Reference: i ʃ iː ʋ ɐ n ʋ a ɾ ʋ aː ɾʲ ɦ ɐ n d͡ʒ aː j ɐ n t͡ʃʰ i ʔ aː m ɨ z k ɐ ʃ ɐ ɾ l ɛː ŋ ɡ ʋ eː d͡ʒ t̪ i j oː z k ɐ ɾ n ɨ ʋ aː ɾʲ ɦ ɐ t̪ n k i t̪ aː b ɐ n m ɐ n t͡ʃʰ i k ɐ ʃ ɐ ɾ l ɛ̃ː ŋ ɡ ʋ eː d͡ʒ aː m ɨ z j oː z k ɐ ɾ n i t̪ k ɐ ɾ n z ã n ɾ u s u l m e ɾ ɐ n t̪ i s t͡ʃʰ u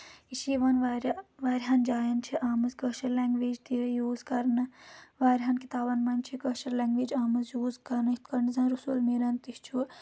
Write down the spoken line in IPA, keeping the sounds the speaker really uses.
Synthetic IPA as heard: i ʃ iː ʋ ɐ n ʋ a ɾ ʋ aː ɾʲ ɦ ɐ n d͡ʒ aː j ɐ n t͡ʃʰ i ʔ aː m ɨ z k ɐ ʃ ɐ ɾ l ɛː ŋ ɡ ʋ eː d͡ʒ t̪ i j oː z k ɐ ɾ n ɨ ʋ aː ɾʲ ɦ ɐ n k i t̪ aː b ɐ n m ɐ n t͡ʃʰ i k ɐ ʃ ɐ ɾ l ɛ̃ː ŋ ɡ ʋ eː d͡ʒ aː m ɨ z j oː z k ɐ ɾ n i t̪ k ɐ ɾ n z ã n ɾ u s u l m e ɾ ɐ n t̪ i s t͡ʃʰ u